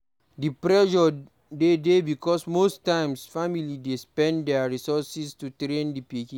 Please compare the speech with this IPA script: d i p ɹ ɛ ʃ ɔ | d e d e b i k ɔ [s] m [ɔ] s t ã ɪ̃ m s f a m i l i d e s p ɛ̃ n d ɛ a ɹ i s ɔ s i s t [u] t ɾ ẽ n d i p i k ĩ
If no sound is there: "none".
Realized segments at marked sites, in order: s, o, u

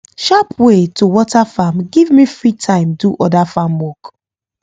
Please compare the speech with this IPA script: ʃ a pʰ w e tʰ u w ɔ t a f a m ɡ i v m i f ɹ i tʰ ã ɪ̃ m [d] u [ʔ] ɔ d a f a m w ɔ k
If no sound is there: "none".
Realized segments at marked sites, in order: d, ʔ

